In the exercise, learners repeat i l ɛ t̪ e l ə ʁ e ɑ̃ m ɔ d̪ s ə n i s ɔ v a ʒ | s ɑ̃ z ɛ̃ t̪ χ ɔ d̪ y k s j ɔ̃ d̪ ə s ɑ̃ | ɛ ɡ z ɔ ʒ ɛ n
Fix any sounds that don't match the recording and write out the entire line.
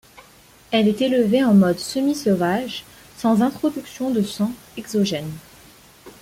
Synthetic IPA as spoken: ɛ l ɛ t̪ e l ə v e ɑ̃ m ɔ d̪ s ə m i s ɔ v a ʒ | s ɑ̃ z ɛ̃ t̪ χ ɔ d̪ y k s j ɔ̃ d̪ ə s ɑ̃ | ɛ ɡ z ɔ ʒ ɛ n